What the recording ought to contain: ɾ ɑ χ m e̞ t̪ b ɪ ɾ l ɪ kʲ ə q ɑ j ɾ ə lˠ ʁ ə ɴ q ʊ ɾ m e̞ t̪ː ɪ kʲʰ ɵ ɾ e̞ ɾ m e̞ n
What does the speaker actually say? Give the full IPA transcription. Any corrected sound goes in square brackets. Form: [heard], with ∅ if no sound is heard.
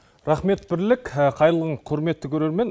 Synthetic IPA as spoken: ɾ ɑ χ m e̞ t̪ b ɪ ɾ l ɪ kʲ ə [qʰ] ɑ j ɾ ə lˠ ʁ ə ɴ [qʰ] ʊ ɾ m e̞ t̪ː ɪ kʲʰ ɵ ɾ e̞ ɾ m e̞ n